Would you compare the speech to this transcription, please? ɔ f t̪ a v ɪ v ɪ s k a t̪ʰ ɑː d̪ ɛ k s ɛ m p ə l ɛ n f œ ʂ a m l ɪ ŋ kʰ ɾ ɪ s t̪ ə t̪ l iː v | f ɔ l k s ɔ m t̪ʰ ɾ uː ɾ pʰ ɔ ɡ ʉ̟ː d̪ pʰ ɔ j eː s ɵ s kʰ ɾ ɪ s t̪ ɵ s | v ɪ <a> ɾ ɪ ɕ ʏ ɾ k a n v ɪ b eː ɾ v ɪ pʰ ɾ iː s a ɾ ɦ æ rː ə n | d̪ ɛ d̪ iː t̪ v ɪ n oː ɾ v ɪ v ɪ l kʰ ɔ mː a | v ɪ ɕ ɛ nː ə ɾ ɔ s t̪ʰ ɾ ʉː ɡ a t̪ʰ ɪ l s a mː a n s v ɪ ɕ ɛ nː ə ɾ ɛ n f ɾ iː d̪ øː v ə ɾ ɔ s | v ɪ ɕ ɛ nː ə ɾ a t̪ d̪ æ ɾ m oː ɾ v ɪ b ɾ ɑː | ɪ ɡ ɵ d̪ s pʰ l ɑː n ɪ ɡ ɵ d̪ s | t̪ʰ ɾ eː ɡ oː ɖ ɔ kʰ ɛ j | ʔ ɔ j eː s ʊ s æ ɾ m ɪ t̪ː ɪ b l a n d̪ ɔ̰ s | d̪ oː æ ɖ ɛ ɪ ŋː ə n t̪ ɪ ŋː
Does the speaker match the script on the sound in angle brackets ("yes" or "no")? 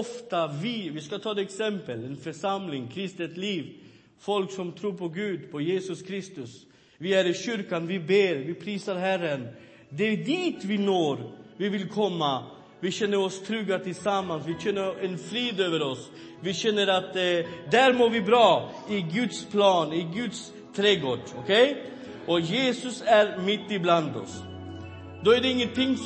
no